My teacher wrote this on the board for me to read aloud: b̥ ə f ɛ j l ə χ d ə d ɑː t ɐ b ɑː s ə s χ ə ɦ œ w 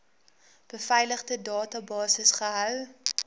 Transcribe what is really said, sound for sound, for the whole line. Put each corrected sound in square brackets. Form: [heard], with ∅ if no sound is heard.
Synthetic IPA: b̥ ə f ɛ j l ə χ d ə d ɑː t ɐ b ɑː s ə s χ ə ɦ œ w